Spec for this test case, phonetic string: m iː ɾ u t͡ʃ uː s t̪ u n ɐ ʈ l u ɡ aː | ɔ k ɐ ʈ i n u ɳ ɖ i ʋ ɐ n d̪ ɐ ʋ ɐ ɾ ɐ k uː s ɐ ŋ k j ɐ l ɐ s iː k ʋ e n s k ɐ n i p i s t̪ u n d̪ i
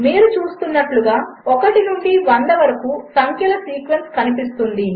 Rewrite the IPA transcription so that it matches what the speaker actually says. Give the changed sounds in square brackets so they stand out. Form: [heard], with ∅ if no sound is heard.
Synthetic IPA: m iː ɾ u t͡ʃ uː s t̪ u [nː] ɐ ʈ l u ɡ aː | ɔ k ɐ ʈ i n u ɳ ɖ i ʋ ɐ n d̪ ɐ ʋ ɐ ɾ ɐ k uː s ɐ ŋ k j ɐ l ɐ s iː k ʋ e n s k ɐ n i p i s t̪ u n d̪ i